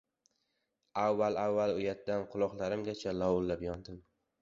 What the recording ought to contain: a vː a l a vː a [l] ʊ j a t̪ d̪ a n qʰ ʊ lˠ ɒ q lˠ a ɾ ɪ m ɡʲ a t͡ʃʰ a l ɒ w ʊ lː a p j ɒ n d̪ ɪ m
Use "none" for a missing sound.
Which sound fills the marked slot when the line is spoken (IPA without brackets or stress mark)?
l